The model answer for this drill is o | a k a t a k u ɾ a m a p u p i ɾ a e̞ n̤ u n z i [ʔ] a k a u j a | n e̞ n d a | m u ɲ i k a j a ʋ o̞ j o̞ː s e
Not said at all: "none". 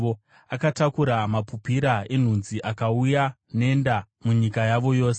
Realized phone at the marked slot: ʔ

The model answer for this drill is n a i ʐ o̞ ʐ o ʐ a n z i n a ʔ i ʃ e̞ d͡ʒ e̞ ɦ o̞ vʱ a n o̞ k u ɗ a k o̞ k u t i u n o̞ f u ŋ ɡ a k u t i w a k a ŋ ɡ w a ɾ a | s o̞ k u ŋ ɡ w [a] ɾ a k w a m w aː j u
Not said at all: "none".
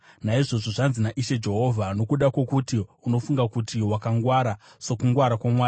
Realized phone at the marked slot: a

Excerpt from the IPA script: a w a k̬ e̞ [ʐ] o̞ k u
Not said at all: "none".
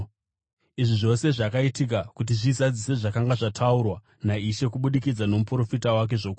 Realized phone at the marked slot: ʐ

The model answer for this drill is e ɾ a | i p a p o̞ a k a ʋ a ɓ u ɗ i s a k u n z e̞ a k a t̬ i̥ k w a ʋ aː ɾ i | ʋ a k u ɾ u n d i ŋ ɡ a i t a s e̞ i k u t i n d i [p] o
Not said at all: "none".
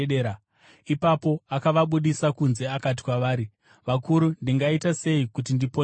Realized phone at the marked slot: p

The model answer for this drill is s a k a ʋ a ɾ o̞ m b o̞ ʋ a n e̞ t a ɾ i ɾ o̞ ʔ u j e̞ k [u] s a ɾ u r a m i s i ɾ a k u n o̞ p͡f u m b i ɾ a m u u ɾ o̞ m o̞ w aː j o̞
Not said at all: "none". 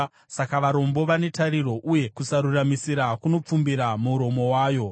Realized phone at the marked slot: u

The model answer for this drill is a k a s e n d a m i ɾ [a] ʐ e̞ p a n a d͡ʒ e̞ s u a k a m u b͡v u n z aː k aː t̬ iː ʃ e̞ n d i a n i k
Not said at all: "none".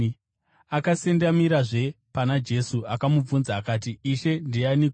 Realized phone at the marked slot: a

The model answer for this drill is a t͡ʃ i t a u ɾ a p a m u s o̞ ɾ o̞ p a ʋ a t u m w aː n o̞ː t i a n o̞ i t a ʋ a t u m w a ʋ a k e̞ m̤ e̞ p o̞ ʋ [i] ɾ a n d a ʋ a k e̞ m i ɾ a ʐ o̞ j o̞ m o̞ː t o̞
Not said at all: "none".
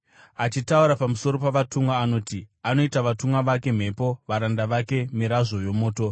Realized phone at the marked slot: a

